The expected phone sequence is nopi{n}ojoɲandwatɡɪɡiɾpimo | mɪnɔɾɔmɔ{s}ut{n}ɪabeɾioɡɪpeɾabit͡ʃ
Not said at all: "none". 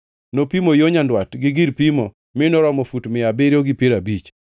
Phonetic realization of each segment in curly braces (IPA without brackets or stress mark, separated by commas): m, f, m